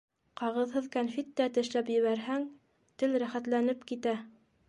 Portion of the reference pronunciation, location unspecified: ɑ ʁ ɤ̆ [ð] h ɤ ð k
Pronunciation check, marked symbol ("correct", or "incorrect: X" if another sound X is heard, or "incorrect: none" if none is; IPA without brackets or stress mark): correct